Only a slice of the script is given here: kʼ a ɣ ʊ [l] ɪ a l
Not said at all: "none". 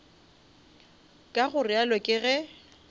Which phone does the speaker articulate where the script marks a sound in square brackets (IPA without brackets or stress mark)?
r